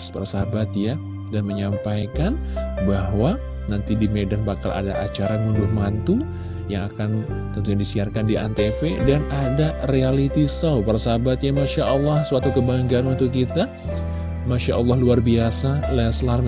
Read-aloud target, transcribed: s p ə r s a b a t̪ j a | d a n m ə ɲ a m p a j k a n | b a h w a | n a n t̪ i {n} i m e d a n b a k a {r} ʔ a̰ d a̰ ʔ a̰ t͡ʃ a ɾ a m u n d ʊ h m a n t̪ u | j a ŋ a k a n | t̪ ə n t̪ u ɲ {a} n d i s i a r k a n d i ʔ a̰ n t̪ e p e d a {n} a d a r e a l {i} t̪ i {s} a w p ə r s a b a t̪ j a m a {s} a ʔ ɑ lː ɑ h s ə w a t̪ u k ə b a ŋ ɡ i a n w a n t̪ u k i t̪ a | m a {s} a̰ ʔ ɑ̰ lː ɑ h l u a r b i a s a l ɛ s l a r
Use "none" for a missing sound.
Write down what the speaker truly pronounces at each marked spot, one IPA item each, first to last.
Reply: d, l, a, n, i, s, ʃ, ʃ

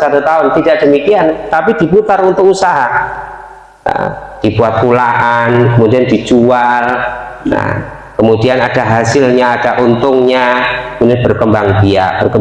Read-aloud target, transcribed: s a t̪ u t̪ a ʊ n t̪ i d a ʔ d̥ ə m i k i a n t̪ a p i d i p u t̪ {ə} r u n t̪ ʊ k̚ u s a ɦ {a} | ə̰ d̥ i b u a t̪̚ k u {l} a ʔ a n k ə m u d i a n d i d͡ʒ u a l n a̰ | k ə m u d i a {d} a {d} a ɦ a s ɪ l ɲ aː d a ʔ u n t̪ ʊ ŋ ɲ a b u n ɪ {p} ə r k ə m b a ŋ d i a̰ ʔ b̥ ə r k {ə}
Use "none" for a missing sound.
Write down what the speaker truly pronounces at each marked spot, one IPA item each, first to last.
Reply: a, a, l, n, d, b, ə

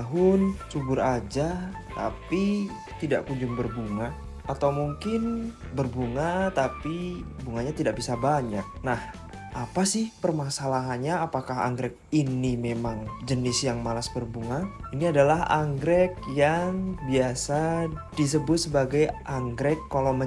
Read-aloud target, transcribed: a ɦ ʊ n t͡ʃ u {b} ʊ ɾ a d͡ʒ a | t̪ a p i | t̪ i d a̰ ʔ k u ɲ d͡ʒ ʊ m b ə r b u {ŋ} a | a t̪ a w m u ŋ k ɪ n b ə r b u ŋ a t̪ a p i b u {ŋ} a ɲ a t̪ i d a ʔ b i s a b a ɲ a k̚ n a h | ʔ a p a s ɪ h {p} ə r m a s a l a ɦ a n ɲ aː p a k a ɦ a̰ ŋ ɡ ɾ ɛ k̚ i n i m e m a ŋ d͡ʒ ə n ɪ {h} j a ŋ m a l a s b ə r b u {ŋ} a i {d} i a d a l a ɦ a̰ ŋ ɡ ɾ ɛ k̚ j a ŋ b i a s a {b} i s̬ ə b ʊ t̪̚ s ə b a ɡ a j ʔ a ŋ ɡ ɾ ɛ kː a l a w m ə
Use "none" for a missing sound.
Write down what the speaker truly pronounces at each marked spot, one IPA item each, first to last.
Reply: b, ŋ, ŋ, p, s, ŋ, n, d

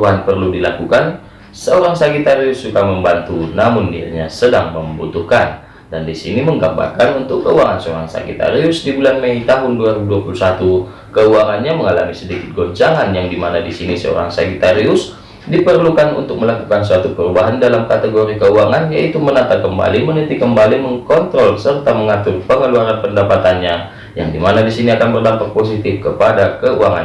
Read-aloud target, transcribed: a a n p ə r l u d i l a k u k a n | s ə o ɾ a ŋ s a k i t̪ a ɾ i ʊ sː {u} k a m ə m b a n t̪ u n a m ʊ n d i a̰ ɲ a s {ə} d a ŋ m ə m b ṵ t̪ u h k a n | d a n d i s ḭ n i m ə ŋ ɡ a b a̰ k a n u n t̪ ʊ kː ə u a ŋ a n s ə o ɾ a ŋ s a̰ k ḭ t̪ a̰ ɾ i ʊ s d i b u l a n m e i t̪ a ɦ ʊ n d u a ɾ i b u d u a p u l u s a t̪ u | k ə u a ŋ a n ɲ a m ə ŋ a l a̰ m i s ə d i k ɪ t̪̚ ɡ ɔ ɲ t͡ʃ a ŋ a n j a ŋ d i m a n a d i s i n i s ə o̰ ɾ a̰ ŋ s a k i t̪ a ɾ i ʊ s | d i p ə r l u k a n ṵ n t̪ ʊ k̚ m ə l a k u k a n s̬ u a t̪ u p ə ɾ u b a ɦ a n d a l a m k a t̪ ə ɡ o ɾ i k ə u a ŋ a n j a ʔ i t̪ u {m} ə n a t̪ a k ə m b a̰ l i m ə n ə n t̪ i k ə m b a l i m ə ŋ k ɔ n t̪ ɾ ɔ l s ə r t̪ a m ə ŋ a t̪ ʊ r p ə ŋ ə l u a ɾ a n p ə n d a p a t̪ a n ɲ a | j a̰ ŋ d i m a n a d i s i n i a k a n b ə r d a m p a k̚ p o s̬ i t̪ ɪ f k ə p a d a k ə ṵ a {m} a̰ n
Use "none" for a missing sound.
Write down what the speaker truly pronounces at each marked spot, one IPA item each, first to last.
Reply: u, ə, m, ŋ

